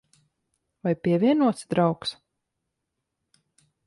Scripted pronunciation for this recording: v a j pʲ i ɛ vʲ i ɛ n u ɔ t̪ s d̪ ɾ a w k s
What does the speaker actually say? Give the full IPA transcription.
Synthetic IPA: v a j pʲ i ɛ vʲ i ɛ n u ɔ t̪ s d̪ ɾ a w k s